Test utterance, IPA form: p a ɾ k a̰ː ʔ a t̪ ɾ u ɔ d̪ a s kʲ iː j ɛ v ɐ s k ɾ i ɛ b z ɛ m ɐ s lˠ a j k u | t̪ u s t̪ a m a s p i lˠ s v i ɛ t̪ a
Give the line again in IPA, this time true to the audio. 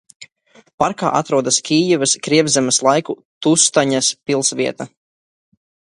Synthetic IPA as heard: p a ɾ k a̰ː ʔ a t̪ ɾ u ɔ d̪ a s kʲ iː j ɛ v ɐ s k ɾ i ɛ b z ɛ m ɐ s lˠ a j k u | t̪ u s t̪ a ɲ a s p i lˠ s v i ɛ t̪ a